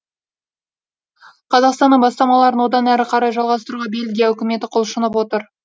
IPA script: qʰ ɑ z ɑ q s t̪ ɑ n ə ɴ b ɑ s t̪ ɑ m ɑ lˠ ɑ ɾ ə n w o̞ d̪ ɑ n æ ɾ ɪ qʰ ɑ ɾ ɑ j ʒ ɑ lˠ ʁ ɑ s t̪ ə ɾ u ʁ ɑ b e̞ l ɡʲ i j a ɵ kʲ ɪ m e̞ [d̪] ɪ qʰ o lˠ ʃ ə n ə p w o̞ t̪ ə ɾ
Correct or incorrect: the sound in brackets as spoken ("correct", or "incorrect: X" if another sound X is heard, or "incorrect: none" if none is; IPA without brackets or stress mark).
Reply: incorrect: t̪